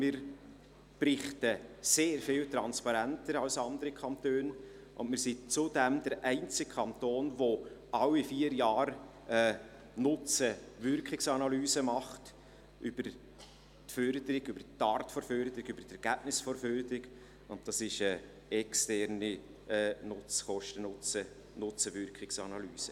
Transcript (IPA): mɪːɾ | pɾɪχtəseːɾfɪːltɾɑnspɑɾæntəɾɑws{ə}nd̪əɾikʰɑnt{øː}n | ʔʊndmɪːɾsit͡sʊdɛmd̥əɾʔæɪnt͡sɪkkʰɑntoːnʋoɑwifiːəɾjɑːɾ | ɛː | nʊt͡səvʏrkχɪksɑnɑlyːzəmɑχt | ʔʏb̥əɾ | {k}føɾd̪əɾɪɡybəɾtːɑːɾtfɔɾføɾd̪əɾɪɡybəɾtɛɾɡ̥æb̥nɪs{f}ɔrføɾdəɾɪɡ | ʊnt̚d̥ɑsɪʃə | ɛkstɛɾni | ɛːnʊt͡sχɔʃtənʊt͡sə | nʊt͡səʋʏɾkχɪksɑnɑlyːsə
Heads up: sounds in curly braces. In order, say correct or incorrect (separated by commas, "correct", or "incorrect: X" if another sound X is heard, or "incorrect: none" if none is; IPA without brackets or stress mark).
incorrect: ɑ, correct, incorrect: t, correct